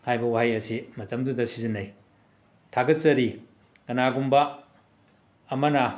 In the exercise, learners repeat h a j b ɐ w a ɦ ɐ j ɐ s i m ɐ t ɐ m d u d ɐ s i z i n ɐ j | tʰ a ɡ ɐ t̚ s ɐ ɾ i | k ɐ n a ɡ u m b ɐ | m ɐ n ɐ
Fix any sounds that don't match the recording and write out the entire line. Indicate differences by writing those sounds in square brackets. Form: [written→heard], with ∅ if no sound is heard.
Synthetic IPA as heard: h a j b ɐ w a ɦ [ɐ→a] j ɐ s i m ɐ t ɐ m d u d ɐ s i z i n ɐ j | tʰ a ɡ ɐ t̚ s ɐ ɾ i | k ɐ n a ɡ u m b ɐ | m ɐ n ɐ